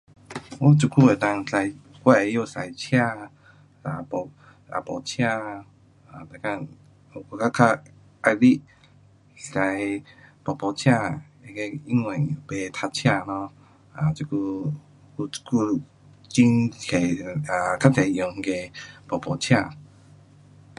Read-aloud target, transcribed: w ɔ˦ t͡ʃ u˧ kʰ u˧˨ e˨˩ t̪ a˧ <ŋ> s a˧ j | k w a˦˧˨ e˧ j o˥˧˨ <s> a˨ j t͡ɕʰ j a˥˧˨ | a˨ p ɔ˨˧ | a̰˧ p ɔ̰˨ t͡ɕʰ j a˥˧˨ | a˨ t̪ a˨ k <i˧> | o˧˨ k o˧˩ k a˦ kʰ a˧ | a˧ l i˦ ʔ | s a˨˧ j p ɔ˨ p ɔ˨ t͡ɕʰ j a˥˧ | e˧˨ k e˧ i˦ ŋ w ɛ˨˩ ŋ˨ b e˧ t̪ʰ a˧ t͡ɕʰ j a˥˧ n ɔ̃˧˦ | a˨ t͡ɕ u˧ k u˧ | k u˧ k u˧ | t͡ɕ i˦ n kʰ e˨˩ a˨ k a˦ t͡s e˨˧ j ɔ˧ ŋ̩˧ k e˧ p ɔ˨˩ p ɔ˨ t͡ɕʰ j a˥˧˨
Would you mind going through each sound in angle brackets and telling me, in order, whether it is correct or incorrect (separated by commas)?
correct, correct, incorrect